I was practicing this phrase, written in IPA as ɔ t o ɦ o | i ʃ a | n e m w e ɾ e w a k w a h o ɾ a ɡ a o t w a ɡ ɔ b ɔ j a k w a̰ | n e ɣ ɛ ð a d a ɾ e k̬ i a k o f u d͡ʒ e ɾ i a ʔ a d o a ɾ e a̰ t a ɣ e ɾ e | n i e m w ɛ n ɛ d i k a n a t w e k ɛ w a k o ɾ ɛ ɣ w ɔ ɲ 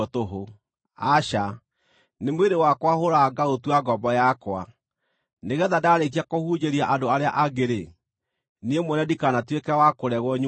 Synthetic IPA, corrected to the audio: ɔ t o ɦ o | a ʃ a | n e m w e ɾ e w a k w a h o ɾ a ɡ a o t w a ɡ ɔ b ɔ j a k w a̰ | n e ɣ ɛ ð a d a ɾ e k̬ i a k o h u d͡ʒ e ɾ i a ʔ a d o a ɾ e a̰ ʔ a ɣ e ɾ e | n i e m w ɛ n ɛ d i k a n a t w e k ɛ w a k o ɾ ɛ ɣ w ɔ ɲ

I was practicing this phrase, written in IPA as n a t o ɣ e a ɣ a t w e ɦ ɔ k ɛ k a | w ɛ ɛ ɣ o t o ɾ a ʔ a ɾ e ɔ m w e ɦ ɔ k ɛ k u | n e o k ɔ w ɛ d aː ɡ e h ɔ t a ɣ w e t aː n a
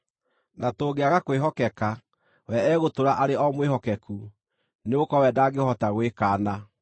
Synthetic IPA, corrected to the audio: n a t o ɣ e a ɣ a k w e ɦ ɔ k ɛ k a | w ɛ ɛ ɣ o t o ɾ a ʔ a ɾ e ɔ m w e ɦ ɔ k ɛ k u | n e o k ɔ w ɛ d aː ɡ e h ɔ t a ɣ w e k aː n a

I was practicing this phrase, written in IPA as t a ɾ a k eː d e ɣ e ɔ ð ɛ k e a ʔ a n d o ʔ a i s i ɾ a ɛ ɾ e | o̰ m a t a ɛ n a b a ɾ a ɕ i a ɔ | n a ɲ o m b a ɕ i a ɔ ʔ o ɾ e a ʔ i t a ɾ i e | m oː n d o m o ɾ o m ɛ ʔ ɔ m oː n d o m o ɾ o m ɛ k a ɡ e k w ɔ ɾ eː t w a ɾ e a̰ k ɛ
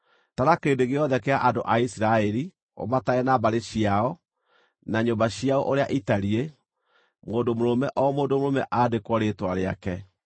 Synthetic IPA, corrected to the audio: t a ɾ a k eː d e ɣ e ɔ ð ɛ k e a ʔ a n d o ʔ a i s i ɾ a ɛ ɾ i | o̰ m a t a ɛ n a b a ɾ e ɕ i a ɔ | n a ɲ o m b a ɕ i a ɔ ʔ o ɾ e a ʔ i t a ɾ i e | m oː n d o m o ɾ o m ɛ ʔ ɔ m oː n d o m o ɾ o m ɛ ʔ a d e k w ɔ ɾ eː t w a ɾ e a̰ k ɛ

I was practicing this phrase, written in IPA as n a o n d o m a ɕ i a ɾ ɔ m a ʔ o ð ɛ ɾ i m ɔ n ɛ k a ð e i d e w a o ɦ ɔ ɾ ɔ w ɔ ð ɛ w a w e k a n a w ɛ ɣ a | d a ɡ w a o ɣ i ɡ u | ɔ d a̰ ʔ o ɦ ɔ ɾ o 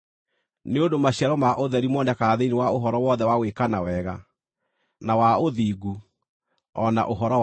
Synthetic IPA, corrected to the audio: n e o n d o m a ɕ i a ɾ ɔ m a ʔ o ð ɛ ɾ i m ɔ n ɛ k a ð e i n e w a o ɦ ɔ ɾ ɔ w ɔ ð ɛ w a w e k a n a w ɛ ɣ a | n a w a o ð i ɡ u | ɔ n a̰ ʔ o ɦ ɔ ɾ ɔ

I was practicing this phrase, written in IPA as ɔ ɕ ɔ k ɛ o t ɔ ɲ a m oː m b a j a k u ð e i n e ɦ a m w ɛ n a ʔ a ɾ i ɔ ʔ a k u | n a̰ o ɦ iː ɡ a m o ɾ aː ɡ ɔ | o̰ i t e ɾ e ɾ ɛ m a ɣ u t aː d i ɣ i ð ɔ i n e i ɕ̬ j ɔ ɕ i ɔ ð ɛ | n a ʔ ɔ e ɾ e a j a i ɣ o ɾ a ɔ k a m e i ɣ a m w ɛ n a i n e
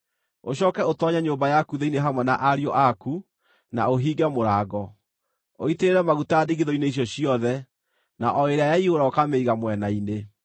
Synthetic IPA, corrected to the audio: o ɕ ɔ k ɛ o t ɔ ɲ a ɲ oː m b a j a k u ð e i n e ɦ a m w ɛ n a ʔ a ɾ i ɔ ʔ a k u | n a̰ o ɦ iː ɡ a m o ɾ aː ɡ ɔ | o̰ i t e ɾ e ɾ ɛ m a ɣ u t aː d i ɣ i ð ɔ i n e i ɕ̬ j ɔ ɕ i ɔ ð ɛ | n a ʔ ɔ e ɾ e a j a i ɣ o ɾ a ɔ k a m e i ɣ a m w ɛ n a i n e

